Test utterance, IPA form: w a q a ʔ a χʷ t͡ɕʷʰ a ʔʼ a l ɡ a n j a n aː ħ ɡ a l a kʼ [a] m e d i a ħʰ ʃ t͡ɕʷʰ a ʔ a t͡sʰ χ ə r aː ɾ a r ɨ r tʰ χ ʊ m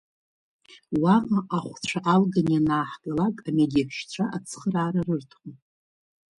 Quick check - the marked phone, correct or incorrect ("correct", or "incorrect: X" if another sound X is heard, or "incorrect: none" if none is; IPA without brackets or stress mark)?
correct